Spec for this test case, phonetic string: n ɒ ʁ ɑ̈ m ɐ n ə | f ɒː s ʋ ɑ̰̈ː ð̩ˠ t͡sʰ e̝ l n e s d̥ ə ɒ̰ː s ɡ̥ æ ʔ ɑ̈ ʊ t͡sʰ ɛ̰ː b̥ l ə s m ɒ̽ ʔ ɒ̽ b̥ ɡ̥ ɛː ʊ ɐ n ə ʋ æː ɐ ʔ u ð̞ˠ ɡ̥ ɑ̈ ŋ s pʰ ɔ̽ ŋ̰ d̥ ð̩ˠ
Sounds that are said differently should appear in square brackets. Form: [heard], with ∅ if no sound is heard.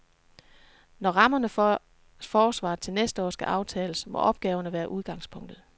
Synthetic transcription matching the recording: n ɒ ʁ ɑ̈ m ɐ n ə | f ɒː s ʋ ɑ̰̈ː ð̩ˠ t͡sʰ e̝ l n e s d̥ ə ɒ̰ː s ɡ̥ æ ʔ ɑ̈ ʊ t͡sʰ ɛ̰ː [∅] l ə s m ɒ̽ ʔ ɒ̽ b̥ ɡ̥ ɛː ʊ ɐ n ə ʋ æː ɐ ʔ u ð̞ˠ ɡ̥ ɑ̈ ŋ s pʰ ɔ̽ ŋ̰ d̥ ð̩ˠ